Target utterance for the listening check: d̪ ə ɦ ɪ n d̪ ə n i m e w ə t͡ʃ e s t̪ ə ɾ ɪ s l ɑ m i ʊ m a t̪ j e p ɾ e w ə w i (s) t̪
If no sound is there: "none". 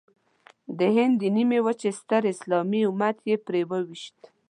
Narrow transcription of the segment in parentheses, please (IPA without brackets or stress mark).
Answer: ʃ